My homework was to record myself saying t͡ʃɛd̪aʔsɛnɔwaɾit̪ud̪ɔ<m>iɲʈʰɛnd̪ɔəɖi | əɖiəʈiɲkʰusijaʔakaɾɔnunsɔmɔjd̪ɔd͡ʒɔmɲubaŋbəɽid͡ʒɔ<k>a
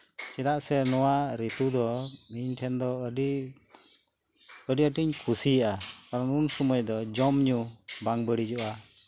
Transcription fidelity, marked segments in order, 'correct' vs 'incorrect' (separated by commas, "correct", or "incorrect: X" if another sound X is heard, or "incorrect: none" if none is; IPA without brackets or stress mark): correct, incorrect: ʔ